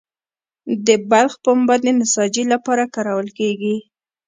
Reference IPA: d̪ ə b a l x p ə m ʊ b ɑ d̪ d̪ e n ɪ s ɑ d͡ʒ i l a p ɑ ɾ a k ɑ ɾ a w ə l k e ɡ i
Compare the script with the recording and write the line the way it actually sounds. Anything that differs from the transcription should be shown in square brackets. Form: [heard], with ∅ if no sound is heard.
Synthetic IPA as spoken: d̪ ə b a l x p ə m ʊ b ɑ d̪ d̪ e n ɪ s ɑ d͡ʒ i l a p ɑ ɾ a k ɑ ɾ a w ə l k e ɡ i